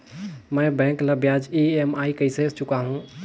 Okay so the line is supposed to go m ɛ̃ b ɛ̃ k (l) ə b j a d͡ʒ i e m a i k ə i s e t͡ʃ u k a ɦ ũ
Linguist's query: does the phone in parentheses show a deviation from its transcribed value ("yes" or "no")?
no